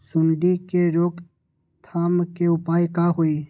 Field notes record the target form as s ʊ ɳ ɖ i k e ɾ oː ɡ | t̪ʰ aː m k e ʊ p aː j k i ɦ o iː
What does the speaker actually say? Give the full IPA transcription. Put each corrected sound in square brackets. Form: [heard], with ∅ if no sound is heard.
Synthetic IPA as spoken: s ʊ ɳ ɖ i k e ɾ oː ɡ | t̪ʰ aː m k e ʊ p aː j k [a] ɦ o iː

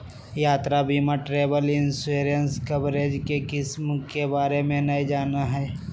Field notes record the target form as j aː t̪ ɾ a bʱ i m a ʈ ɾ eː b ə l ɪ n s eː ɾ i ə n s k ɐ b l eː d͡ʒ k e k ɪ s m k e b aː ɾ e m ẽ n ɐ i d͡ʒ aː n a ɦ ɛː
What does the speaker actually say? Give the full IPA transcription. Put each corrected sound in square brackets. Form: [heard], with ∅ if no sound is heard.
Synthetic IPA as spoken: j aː t̪ ɾ a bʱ i m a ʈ ɾ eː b ə l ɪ n s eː ɾ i ə n s k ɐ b [ɾ] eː d͡ʒ k e k ɪ s m k e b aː ɾ e m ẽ n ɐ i d͡ʒ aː n a ɦ ɛː

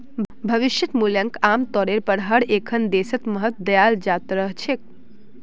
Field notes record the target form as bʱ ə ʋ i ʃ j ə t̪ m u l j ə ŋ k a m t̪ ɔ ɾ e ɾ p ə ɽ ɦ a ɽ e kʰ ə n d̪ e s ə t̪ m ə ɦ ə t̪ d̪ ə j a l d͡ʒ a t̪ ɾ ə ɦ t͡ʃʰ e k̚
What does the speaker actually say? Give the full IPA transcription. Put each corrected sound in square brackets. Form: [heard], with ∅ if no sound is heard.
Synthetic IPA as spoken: bʱ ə ʋ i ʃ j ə t̪ m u l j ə ŋ k a m t̪ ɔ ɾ e ɾ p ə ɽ ɦ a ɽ e kʰ ə n d̪ e s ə t̪ m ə ɦ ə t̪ d̪ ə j a l d͡ʒ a t̪ ɾ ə ɦ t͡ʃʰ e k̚

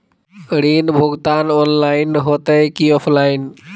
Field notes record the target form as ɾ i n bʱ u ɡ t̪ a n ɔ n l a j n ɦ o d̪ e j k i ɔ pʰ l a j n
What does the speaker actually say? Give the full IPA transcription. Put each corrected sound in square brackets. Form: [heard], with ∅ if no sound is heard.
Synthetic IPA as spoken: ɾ i n bʱ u ɡ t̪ a n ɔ n l a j n ɦ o [t̪] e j k i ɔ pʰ l a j n

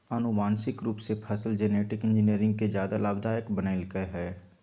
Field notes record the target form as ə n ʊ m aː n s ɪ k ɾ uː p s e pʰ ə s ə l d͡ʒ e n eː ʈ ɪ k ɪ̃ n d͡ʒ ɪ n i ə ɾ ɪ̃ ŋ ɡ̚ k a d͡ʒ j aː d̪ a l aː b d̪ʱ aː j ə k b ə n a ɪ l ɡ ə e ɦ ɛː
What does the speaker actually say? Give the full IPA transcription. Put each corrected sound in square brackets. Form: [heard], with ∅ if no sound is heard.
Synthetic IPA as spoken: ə n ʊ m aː n s ɪ k ɾ uː p s e pʰ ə s ə l d͡ʒ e n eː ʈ ɪ k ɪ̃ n d͡ʒ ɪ n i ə ɾ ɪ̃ ŋ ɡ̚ k [e] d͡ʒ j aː d̪ a l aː b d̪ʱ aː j ə k b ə n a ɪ l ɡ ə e ɦ ɛː

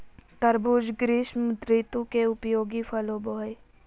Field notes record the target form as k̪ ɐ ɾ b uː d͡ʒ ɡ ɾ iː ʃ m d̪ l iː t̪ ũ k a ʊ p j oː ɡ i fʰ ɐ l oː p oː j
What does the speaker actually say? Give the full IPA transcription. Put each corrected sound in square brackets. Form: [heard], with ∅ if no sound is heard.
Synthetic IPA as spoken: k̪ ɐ ɾ b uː d͡ʒ ɡ ɾ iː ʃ m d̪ [ɾ] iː t̪ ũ k [e] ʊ p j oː ɡ i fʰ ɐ l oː [b] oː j

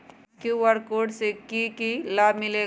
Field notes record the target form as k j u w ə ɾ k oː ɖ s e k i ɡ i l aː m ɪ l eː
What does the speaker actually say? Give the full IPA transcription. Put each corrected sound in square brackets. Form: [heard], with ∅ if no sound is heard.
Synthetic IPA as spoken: k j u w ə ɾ k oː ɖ s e k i [k] i l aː m ɪ l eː

